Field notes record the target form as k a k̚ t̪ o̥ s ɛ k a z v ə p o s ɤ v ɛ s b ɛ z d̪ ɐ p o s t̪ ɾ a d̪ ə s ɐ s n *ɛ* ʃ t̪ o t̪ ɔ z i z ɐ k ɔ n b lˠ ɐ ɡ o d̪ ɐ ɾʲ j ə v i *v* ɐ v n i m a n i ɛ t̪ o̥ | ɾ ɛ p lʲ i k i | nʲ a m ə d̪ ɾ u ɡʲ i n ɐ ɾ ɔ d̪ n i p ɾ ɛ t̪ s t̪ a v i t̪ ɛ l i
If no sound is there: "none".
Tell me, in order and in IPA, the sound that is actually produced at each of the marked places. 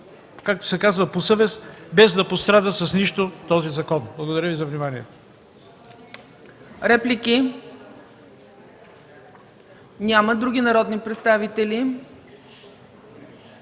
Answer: i, z

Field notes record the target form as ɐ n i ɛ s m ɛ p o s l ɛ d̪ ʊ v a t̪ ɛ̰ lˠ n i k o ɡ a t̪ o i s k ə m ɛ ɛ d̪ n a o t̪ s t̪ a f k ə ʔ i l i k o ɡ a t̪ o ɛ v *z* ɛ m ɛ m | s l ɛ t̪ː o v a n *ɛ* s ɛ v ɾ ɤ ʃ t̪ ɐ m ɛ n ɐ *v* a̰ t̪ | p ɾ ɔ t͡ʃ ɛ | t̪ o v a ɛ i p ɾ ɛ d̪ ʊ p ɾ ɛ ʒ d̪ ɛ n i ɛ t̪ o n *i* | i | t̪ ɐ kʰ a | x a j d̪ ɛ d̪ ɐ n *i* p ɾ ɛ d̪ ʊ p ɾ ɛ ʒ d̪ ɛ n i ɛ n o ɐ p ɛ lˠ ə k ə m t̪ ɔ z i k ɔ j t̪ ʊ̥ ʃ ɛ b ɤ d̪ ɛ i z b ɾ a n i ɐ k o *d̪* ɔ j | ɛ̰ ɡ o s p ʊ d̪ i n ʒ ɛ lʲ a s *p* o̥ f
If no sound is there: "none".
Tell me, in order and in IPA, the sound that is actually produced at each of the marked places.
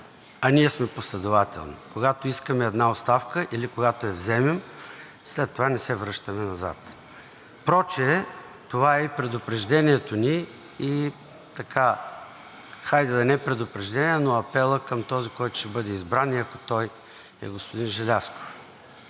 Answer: z, ɛ, z, i, ɛ, t̪, k

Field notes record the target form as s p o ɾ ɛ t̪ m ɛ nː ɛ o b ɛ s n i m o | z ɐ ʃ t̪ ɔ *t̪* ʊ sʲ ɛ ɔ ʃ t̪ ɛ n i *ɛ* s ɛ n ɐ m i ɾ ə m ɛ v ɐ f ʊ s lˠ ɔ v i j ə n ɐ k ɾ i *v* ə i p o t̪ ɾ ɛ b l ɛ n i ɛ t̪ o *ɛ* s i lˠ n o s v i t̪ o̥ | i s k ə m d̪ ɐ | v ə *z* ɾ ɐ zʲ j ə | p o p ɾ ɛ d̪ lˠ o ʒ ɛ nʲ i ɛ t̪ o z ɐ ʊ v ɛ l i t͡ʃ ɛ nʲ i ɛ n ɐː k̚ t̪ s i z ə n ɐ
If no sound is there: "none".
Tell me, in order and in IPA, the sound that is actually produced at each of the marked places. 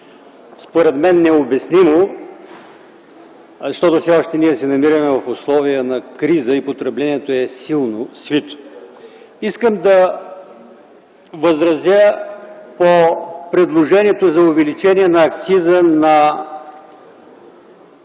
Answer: t̪, ɛ, z, ɛ, z

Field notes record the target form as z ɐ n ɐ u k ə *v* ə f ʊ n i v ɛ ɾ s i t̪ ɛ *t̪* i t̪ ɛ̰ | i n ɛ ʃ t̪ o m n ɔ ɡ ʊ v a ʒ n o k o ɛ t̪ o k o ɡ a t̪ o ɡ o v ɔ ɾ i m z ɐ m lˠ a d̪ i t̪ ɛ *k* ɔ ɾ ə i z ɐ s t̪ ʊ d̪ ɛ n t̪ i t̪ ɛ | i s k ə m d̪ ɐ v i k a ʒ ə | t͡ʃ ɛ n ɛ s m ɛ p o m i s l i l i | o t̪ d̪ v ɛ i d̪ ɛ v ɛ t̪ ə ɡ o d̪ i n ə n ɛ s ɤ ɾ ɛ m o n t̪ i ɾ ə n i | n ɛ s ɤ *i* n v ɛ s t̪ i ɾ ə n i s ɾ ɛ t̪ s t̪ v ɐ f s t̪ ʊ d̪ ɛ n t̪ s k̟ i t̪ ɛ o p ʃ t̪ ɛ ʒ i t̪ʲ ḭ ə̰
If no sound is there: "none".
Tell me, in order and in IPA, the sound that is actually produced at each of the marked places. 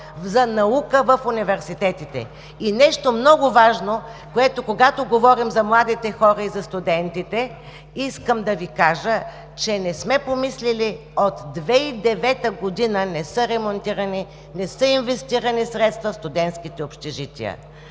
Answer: v, t̪, x, i

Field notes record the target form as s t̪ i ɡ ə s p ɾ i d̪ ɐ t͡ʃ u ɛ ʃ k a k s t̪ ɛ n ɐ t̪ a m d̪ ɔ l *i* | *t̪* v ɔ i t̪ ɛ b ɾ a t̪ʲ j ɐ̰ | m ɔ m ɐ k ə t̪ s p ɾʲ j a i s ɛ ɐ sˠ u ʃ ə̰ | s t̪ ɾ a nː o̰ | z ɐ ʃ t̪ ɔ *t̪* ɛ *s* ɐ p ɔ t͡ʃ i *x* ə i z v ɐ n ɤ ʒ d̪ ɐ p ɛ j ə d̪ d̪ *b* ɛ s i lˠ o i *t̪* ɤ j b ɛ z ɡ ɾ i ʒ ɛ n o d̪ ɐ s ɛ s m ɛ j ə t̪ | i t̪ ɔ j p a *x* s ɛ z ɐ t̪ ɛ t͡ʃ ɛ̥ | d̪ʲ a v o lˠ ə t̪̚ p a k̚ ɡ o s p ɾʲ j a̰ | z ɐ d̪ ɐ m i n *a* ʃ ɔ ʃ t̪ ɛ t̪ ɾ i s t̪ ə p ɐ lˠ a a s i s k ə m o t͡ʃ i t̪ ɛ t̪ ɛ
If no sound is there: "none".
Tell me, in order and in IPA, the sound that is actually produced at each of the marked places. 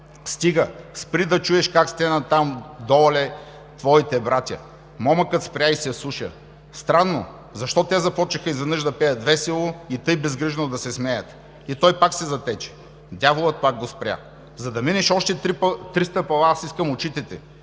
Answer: ɛ, t̪, t̪, z, x, v, t̪, k, ɛ

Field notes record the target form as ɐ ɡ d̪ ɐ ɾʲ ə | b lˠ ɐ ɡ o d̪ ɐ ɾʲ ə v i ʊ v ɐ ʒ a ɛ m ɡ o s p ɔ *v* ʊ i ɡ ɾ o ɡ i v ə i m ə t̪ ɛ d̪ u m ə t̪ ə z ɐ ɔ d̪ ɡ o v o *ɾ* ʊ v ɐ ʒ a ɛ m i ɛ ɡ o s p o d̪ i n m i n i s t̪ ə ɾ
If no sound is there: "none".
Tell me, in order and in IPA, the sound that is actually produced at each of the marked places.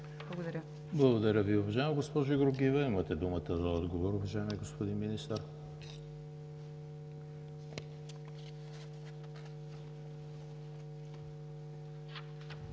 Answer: ʒ, ɾ

